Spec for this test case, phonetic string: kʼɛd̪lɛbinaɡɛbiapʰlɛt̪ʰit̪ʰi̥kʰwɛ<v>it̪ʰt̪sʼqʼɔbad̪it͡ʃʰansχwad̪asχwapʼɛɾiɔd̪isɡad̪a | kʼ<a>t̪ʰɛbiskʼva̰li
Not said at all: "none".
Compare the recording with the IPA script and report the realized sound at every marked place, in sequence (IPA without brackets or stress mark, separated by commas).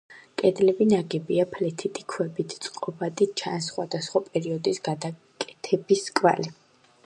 b, ɛ